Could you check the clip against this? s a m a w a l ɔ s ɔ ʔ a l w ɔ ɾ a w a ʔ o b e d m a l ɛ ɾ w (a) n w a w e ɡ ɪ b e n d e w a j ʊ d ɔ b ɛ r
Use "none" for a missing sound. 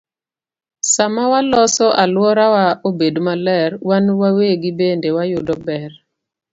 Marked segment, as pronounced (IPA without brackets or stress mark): a